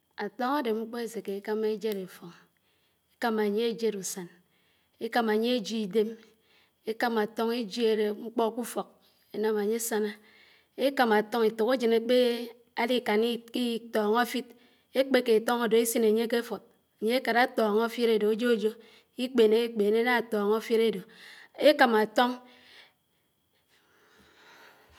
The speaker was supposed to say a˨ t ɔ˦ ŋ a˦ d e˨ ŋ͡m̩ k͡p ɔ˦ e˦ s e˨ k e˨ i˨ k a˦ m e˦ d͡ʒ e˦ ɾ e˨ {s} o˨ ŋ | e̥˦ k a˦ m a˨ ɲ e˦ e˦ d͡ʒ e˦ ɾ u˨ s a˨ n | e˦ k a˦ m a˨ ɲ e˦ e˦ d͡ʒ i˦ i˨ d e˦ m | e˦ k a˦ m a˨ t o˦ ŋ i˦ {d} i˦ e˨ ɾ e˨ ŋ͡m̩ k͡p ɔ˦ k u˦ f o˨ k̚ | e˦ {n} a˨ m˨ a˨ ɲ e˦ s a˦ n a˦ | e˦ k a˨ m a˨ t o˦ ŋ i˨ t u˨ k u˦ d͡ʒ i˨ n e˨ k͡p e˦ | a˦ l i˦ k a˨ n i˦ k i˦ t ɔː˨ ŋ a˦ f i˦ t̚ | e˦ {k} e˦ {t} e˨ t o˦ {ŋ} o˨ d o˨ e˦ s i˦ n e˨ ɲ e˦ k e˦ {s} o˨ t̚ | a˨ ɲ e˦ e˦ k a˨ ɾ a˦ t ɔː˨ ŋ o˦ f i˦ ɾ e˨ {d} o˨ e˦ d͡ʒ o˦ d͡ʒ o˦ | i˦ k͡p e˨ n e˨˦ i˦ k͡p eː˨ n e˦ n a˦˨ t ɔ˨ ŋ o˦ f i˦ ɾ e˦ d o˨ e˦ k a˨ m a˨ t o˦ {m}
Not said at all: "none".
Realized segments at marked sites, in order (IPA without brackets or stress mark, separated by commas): f, d͡ʒ, n, k͡p, k, ŋ, f, d, ŋ